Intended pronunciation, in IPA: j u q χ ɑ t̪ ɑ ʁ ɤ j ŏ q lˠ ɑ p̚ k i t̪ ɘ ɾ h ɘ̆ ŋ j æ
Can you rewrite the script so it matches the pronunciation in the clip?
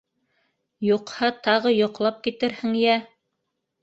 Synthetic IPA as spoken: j u q h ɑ t̪ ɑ ʁ ɤ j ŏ q lˠ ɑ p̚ k i t̪ ɘ ɾ h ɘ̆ ŋ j æ